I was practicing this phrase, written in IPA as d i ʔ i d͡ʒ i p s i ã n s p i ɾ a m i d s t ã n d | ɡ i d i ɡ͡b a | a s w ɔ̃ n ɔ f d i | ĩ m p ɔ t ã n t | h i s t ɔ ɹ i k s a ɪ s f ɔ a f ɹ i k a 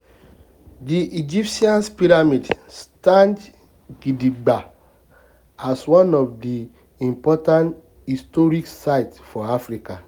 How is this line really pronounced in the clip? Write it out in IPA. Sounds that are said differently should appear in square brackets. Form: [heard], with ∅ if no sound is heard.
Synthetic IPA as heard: d i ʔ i d͡ʒ i p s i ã n s p i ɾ a m i d s t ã n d | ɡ i d i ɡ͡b a | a s w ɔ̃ n ɔ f d i | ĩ m p ɔ t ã n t | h i s t ɔ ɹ i k s a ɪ [t] f ɔ a f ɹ i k a